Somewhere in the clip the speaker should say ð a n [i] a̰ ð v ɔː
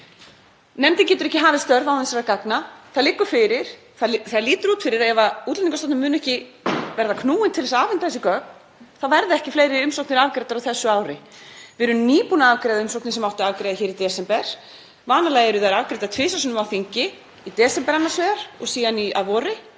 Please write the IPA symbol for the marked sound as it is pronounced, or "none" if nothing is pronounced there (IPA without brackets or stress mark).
i